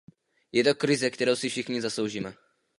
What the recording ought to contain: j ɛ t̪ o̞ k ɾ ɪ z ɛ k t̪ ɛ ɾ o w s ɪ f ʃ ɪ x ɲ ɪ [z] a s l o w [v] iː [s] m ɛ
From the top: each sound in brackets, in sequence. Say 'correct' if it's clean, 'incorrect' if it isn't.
correct, incorrect, incorrect

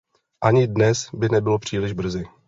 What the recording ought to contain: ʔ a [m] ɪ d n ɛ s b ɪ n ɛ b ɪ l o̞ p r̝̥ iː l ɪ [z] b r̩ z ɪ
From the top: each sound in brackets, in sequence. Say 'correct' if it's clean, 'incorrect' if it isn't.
incorrect, incorrect

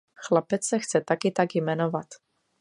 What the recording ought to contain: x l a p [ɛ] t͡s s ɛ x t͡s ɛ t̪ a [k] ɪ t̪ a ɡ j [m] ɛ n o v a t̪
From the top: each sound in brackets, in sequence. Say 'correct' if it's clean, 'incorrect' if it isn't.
correct, correct, correct

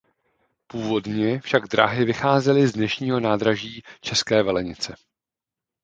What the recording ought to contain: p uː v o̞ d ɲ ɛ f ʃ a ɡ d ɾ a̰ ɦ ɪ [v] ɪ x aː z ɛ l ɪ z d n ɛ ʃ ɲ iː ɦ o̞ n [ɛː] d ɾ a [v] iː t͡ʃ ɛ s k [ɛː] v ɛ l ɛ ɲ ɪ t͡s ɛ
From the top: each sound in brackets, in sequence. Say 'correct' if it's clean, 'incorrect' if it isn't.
correct, incorrect, incorrect, correct

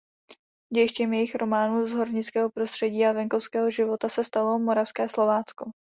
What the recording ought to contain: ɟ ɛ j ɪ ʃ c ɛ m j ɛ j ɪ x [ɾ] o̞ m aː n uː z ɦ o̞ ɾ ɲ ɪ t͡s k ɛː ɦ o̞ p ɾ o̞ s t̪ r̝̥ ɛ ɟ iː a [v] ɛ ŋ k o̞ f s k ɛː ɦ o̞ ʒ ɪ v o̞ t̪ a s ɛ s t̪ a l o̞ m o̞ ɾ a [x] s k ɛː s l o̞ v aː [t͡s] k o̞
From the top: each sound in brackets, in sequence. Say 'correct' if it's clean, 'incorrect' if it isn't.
correct, correct, incorrect, correct

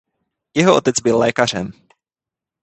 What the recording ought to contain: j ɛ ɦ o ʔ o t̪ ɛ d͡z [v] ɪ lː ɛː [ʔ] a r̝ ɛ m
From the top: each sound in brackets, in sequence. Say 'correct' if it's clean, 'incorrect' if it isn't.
incorrect, incorrect

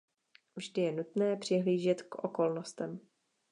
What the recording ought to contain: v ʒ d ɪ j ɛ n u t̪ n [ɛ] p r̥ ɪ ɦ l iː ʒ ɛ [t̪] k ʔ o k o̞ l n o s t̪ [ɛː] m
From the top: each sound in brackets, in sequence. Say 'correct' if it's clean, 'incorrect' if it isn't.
incorrect, correct, incorrect

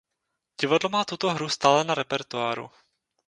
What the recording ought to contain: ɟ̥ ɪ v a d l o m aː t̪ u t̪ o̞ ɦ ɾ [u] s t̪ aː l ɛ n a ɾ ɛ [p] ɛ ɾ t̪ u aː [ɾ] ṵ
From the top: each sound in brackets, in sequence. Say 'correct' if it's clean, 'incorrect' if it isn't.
correct, correct, correct

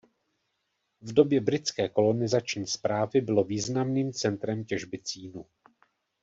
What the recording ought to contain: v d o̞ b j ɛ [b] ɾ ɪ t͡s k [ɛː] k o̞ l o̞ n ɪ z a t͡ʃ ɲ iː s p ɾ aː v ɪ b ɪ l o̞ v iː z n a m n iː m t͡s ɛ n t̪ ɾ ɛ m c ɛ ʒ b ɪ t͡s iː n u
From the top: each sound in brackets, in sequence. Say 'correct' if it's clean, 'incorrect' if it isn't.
correct, correct

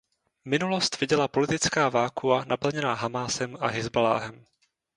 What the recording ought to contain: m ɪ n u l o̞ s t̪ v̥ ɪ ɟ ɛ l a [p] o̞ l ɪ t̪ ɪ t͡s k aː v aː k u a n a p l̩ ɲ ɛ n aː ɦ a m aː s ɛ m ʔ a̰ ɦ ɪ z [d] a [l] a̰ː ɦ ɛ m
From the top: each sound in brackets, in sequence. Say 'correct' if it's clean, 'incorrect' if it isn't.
correct, incorrect, correct

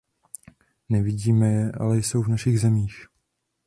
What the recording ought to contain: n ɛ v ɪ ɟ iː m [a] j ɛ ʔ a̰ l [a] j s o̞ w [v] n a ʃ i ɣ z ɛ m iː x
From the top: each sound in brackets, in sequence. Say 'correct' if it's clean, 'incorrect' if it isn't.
incorrect, incorrect, correct

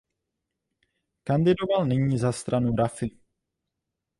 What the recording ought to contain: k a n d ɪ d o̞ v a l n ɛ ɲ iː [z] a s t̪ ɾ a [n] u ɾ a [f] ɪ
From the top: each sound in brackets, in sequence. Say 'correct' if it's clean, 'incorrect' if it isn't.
correct, correct, correct

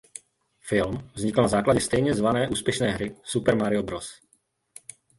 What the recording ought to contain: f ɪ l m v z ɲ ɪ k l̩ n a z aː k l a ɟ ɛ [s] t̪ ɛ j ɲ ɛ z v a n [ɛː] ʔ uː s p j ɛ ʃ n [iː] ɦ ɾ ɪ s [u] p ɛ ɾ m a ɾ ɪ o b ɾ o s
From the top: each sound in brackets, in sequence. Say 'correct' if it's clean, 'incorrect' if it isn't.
correct, correct, incorrect, correct

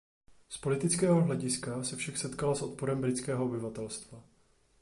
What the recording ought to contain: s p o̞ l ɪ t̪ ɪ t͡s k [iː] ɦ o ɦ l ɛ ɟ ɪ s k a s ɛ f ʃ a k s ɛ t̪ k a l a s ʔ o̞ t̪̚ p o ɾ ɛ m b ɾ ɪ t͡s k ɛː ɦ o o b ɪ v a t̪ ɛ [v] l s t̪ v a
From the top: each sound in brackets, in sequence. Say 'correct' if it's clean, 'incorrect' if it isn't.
incorrect, incorrect

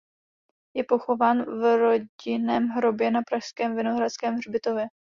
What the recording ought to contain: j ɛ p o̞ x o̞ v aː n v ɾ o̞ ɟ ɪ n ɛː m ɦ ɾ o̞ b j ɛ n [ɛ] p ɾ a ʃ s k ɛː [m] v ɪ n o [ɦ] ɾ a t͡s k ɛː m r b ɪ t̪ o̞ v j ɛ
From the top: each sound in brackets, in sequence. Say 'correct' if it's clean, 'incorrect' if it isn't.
incorrect, correct, correct

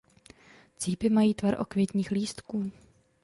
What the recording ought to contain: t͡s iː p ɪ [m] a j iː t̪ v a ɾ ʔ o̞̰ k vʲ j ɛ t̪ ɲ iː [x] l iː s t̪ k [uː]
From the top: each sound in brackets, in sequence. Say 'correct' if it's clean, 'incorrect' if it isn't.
correct, correct, correct

